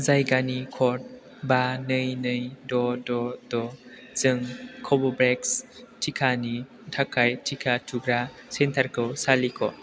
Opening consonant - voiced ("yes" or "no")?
yes